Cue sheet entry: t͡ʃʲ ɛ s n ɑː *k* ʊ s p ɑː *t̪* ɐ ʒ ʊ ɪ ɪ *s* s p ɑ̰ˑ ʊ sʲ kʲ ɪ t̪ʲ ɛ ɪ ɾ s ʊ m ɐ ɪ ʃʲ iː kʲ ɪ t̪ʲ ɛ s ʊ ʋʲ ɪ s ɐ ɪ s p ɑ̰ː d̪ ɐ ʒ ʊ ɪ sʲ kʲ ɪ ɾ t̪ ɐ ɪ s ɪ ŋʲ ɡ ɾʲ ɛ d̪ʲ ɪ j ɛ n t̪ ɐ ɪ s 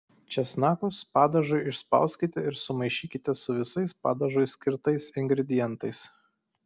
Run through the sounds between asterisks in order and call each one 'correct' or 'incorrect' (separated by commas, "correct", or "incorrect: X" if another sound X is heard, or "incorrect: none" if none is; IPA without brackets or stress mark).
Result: correct, incorrect: d̪, incorrect: ʃ